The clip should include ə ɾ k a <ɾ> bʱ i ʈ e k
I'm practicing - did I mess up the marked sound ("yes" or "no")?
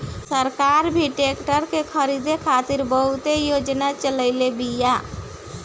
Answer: no